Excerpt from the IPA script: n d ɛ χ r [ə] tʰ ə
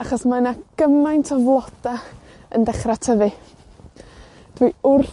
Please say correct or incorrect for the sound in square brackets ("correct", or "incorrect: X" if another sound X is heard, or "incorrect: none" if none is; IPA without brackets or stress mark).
incorrect: a